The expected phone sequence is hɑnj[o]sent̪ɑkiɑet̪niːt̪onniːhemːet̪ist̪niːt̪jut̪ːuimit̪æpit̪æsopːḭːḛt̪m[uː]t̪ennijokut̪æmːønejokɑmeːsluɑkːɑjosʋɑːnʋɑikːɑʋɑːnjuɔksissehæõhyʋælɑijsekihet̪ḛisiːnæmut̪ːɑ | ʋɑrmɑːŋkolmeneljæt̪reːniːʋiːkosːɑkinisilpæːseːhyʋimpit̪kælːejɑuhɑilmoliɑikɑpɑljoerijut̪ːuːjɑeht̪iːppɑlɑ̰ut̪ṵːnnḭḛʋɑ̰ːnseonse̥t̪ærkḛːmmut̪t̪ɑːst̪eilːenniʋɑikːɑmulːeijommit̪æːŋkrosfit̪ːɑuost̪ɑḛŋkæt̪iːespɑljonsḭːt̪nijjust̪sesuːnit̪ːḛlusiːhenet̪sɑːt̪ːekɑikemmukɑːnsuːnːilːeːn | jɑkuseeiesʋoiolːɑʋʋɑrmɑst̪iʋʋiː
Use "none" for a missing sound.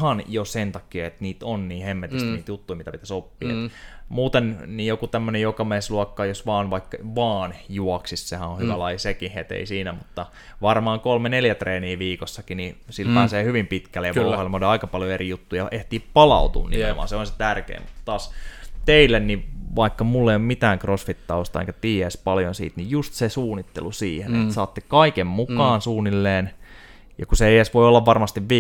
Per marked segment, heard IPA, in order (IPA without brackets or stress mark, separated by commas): o, uː